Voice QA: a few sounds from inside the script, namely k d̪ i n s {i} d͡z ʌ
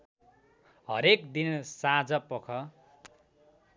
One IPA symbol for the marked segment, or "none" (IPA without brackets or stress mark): a